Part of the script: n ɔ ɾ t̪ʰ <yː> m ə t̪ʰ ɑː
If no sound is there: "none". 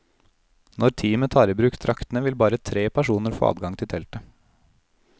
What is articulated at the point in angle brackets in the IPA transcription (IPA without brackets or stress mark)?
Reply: iː